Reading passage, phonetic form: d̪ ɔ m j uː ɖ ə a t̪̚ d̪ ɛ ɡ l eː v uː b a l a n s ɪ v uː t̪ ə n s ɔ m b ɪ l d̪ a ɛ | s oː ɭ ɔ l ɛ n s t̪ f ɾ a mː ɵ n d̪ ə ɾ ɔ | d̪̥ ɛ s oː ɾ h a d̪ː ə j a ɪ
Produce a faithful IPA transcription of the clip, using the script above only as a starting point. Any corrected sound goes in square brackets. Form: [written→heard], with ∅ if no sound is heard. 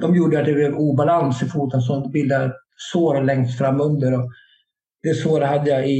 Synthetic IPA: d̪ ɔ m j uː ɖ ə a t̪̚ d̪ ɛ [ɡ→b] l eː v uː b a l a n s ɪ [v→f] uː t̪ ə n s ɔ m b ɪ l d̪ a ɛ | s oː [ɭ→ɾ] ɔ l ɛ [n→ŋ] s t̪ f ɾ a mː ɵ n d̪ ə ɾ ɔ | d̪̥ ɛ s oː ɾ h a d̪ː ə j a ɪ